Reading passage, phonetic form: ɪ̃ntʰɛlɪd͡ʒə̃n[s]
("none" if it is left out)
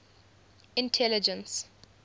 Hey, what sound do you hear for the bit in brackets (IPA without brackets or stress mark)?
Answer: s